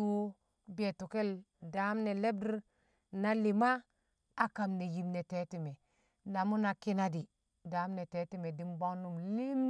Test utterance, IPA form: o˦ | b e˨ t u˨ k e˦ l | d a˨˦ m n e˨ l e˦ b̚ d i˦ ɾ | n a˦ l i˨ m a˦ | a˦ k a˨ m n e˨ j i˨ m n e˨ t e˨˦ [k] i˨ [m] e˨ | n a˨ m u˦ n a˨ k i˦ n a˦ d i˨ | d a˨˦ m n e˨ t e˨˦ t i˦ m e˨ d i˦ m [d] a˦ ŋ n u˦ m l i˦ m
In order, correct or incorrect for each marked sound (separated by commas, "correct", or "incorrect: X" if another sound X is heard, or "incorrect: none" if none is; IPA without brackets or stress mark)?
incorrect: t, correct, incorrect: b